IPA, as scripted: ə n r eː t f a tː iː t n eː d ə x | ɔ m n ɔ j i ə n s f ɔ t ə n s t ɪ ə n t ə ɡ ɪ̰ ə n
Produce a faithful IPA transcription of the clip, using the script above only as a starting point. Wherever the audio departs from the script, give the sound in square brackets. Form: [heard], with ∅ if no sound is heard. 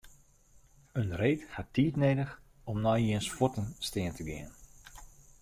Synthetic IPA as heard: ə n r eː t [h] a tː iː t n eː d ə x | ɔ m n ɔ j i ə n s f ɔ t ə n s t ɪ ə n t ə ɡ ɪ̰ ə n